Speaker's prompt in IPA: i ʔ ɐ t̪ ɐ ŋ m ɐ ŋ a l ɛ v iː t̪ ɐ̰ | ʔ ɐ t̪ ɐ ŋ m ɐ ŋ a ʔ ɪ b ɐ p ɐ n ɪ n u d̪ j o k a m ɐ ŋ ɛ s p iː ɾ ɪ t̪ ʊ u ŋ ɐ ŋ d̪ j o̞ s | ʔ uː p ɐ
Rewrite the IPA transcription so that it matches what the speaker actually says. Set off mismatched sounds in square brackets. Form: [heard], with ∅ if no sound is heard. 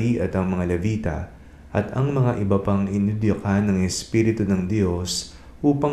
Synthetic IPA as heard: i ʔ ɐ t̪ ɐ ŋ m ɐ ŋ a l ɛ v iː t̪ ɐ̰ | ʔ ɐ t̪ ɐ ŋ m ɐ ŋ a ʔ ɪ b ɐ p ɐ [ŋ] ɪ n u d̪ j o k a [n] ɐ ŋ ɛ s p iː ɾ ɪ t̪ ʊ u [n] ɐ ŋ d̪ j o̞ s | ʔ uː p ɐ